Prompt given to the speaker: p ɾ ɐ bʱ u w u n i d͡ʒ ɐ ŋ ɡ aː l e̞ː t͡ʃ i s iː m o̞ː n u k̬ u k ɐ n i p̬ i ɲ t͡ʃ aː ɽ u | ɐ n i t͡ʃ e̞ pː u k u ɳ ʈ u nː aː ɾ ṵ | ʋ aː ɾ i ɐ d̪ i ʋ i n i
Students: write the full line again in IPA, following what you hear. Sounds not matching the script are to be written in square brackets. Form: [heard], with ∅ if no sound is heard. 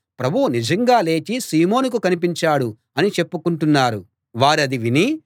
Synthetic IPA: p ɾ ɐ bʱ u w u n i d͡ʒ ɐ ŋ ɡ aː l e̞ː t͡ʃ i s iː m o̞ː n u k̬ u k ɐ n i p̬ i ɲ t͡ʃ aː ɽ u | ɐ n i t͡ʃ e̞ pː u k u ɳ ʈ u nː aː ɾ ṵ | ʋ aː ɾ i ɐ d̪ i ʋ i n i